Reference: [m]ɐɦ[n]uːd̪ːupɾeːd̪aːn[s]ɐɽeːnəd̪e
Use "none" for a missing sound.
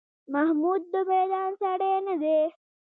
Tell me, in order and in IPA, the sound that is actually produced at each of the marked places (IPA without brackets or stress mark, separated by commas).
m, m, s